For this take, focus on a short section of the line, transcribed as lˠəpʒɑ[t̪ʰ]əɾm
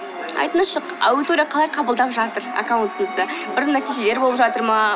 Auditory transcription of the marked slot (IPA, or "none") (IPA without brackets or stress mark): t̪